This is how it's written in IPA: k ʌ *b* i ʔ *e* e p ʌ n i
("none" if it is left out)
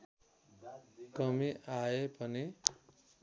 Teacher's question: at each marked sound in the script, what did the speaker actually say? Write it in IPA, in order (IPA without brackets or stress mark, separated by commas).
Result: m, a